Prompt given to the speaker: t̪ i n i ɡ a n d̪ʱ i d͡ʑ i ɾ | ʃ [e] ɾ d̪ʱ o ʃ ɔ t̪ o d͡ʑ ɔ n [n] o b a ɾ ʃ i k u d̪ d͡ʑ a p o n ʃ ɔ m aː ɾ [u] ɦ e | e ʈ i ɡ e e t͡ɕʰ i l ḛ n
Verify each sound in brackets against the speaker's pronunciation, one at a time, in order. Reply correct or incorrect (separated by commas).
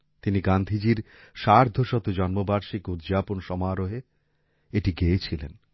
incorrect, incorrect, incorrect